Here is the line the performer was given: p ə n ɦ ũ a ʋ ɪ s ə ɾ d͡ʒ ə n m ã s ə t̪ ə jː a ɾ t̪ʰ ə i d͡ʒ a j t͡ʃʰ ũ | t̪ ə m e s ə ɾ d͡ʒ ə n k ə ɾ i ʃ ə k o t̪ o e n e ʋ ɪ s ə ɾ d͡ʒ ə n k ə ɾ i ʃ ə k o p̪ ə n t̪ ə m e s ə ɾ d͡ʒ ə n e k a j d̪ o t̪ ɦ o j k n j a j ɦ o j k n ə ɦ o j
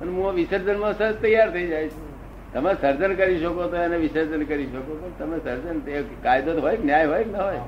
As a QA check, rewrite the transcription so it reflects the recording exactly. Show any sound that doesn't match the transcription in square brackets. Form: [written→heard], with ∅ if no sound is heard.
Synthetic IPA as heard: p ə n ɦ ũ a ʋ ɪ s ə ɾ d͡ʒ ə n m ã s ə t̪ ə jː a ɾ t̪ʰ ə i d͡ʒ a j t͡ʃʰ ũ | t̪ ə m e s ə ɾ d͡ʒ ə n k ə ɾ i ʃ ə k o t̪ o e n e ʋ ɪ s ə ɾ d͡ʒ ə n k ə ɾ i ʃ ə k o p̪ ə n t̪ ə m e s ə ɾ d͡ʒ ə n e k a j d̪ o t̪ ɦ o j k n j a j ɦ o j k n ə ɦ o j